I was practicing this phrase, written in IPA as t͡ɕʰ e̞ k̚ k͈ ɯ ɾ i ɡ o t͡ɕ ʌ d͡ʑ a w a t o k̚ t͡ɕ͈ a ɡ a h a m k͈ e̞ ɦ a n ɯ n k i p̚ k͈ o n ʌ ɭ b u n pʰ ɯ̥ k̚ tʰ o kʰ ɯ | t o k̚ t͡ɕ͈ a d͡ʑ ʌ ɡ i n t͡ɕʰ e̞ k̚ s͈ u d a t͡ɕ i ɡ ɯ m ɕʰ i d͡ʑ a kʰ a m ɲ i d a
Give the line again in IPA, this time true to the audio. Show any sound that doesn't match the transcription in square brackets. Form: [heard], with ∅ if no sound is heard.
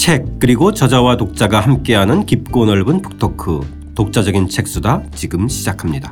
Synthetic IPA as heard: t͡ɕʰ e̞ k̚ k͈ ɯ ɾ i ɡ o t͡ɕ ʌ d͡ʑ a w a t o k̚ t͡ɕ͈ a ɡ a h a m k͈ e̞ ɦ a n ɯ n k i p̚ k͈ o n ʌ ɭ b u n pʰ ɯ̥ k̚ tʰ o kʰ ɯ | t o k̚ t͡ɕ͈ a d͡ʑ ʌ ɡ i n t͡ɕʰ e̞ k̚ s͈ u d a t͡ɕ i ɡ ɯ m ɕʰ i d͡ʑ a kʰ a m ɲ i d a